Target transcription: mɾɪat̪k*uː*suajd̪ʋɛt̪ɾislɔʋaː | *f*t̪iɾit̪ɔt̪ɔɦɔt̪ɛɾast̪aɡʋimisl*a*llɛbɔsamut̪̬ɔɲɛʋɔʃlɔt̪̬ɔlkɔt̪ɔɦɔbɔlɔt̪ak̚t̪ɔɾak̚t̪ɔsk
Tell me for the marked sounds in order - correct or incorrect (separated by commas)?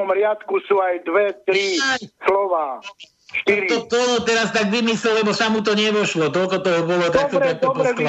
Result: incorrect, incorrect, incorrect